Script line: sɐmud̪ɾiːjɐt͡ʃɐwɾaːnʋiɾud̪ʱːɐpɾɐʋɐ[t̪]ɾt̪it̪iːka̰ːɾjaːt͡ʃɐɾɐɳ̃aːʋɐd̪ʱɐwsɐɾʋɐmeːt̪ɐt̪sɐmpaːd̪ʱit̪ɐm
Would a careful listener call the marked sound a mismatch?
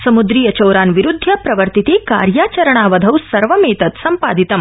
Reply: yes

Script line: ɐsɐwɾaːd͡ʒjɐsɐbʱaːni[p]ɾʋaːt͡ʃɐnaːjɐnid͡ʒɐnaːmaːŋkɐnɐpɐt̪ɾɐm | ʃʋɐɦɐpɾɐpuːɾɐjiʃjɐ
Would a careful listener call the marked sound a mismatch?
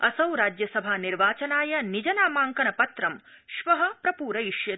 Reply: yes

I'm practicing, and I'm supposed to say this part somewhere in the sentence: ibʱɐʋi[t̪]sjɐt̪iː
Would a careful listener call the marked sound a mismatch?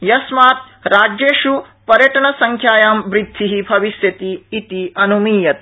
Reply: yes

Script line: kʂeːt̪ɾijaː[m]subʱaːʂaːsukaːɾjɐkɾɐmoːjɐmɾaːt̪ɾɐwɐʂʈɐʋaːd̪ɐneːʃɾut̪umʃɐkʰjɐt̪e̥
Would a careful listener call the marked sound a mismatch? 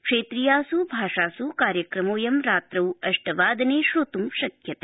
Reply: yes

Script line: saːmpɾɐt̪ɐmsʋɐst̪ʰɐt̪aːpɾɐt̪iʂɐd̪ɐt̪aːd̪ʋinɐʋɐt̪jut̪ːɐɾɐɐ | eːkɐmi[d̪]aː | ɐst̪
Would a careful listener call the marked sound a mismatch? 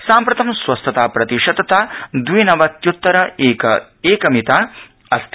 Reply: yes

